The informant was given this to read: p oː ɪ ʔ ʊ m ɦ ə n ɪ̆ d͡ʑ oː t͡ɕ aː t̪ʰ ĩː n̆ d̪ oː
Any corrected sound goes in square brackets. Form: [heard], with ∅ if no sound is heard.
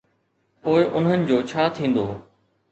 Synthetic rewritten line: p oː ɪ ʔ ʊ [n] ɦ ə n ɪ̆ d͡ʑ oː [t͡ɕʰ] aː t̪ʰ ĩː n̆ d̪ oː